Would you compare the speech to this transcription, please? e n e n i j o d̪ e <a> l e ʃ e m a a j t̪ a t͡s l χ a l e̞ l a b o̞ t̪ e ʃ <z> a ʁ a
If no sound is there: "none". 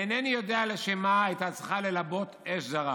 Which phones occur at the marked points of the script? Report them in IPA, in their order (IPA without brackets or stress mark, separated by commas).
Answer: a, z